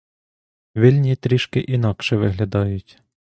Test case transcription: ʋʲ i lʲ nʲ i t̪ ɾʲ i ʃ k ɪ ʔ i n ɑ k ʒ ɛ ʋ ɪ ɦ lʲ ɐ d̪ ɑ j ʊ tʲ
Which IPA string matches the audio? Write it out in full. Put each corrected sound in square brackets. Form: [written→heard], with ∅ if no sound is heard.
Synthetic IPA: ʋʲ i lʲ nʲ i t̪ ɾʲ i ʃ k ɪ ʔ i n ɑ k [ʒ→ʃ] ɛ ʋ ɪ ɦ lʲ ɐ d̪ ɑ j ʊ tʲ

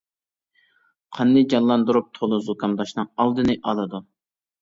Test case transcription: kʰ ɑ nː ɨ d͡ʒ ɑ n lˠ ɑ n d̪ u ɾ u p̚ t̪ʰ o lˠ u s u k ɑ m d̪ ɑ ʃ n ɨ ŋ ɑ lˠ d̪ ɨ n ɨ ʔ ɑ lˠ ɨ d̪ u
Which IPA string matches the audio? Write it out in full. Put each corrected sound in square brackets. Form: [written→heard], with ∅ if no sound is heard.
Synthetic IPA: [kʰ→qʰ] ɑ nː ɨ d͡ʒ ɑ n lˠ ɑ n d̪ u ɾ u p̚ t̪ʰ o lˠ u [s→z] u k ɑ m d̪ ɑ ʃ n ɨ ŋ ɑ lˠ d̪ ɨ n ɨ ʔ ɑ lˠ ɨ d̪ u

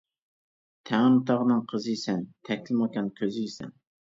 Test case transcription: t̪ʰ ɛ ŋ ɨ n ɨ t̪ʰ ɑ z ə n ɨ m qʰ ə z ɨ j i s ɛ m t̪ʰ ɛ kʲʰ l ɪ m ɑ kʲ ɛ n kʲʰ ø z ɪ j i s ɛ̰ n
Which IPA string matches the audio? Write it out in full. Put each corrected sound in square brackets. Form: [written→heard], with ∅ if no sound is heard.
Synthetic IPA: t̪ʰ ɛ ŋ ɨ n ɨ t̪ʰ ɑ [z→ʁ] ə n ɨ [m→ŋ] qʰ ə z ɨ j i s ɛ [m→n] t̪ʰ ɛ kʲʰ l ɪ m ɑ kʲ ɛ n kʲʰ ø z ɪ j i s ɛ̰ n

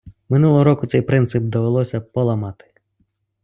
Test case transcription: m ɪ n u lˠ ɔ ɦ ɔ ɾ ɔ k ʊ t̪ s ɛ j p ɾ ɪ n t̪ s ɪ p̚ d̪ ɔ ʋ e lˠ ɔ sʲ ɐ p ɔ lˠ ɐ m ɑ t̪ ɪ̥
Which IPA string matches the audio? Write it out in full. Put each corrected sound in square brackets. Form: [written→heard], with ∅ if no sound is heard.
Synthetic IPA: m ɪ n u lˠ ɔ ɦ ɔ ɾ ɔ k ʊ t̪ s ɛ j p ɾ ɪ n t̪ s ɪ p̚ d̪ ɔ ʋ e lˠ ɔ sʲ ɐ p ɔ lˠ ɐ m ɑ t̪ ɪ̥

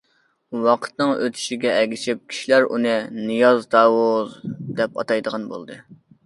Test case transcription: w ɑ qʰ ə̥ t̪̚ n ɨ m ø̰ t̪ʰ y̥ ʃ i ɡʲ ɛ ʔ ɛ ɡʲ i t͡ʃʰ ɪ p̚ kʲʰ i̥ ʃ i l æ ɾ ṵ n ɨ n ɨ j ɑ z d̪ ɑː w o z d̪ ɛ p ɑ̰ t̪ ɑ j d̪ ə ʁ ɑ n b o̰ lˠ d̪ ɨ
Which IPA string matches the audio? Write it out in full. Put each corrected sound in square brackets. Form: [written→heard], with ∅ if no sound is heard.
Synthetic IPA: w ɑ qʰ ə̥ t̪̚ n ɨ [m→ŋ] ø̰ t̪ʰ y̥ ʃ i ɡʲ ɛ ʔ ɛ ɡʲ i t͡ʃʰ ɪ p̚ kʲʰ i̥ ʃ i l æ ɾ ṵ n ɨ n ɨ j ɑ z d̪ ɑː w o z d̪ ɛ p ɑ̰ t̪ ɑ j d̪ ə ʁ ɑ n b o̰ lˠ d̪ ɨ

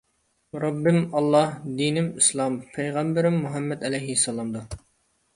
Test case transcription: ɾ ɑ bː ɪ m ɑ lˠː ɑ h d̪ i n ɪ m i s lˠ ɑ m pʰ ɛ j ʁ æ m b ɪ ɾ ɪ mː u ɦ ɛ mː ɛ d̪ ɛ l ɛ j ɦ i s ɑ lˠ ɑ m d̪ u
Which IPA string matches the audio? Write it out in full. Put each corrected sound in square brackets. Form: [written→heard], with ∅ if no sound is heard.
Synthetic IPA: ɾ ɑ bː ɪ m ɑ lˠː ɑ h d̪ i n ɪ m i s lˠ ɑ m pʰ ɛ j ʁ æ m b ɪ ɾ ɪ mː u ɦ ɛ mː ɛ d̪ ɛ l ɛ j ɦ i s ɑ lˠ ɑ m d̪ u

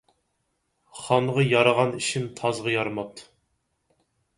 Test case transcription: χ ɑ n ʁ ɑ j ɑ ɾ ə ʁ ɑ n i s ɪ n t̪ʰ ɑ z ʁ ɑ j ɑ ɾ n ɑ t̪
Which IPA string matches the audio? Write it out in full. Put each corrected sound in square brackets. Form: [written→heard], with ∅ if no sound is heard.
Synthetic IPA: χ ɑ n ʁ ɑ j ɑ ɾ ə ʁ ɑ n i [s→ʃ] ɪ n t̪ʰ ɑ z ʁ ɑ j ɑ ɾ [n→m] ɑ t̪

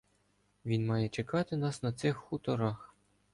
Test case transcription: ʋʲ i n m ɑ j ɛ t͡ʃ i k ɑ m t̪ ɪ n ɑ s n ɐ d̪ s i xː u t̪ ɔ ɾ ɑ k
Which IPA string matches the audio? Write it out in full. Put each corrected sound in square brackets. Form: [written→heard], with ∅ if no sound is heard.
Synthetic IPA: ʋʲ i n m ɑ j ɛ t͡ʃ [i→e] k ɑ [m→∅] t̪ ɪ n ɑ s n ɐ [d̪→t̪] s [i→ɪ] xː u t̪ ɔ ɾ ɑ [k→x]

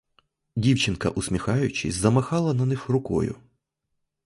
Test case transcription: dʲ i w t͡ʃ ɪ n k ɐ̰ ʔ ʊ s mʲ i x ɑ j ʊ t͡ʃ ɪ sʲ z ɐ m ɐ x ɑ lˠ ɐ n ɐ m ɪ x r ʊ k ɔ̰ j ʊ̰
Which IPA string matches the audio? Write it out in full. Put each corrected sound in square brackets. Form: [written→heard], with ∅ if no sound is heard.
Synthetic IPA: dʲ i w t͡ʃ ɪ n k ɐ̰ ʔ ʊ s mʲ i x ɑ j ʊ t͡ʃ ɪ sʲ z ɐ m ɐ x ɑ lˠ ɐ n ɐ [m→n] ɪ x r ʊ k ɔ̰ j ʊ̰

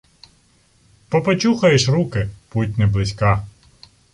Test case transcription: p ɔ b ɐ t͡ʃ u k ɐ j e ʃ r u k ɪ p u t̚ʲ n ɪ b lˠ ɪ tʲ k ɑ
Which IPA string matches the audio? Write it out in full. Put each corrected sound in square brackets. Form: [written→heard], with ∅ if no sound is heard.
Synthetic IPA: p ɔ [b→p] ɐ t͡ʃ u [k→x] ɐ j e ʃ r u k ɪ p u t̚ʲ n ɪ b lˠ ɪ [tʲ→sʲ] k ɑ

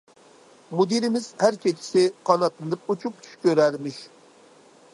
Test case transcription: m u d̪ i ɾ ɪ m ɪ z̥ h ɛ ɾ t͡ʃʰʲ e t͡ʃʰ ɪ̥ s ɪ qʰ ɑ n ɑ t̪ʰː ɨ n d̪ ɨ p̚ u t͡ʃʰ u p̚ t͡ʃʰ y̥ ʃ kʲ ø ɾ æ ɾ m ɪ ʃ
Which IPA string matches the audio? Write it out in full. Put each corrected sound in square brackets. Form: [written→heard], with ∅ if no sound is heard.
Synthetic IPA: m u d̪ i ɾ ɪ m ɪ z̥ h [ɛ→æ] ɾ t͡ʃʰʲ e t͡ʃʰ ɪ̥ s ɪ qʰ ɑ n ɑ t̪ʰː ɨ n d̪ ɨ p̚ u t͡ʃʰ u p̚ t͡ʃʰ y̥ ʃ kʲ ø ɾ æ ɾ m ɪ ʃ

